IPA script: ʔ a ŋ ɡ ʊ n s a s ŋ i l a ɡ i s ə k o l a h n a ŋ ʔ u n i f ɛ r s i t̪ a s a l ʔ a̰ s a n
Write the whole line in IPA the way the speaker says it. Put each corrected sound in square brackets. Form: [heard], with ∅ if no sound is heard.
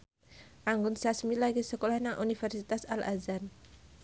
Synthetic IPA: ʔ a ŋ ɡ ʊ n s a s [m] i l a ɡ i s ə k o l a h n a ŋ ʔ u n i f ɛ r s i t̪ a s a l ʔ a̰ [z] a n